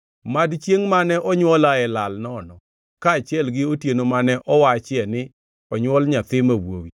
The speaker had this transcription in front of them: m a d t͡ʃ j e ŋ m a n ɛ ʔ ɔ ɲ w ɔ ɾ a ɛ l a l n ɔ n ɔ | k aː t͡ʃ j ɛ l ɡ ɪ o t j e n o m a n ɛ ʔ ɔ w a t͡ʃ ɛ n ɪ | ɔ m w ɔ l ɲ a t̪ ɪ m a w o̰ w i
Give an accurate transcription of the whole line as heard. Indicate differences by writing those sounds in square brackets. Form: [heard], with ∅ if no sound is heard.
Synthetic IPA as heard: m a d t͡ʃ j e ŋ m a n ɛ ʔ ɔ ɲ w ɔ [l] a ɛ l a l n ɔ n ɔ | k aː t͡ʃ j ɛ l ɡ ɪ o t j e n o m a n ɛ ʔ ɔ w a t͡ʃ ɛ n ɪ | ɔ [ɲ] w ɔ l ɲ a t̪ ɪ m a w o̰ w i